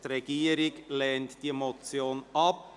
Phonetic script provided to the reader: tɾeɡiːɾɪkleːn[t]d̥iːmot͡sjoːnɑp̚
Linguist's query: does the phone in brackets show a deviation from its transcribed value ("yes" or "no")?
no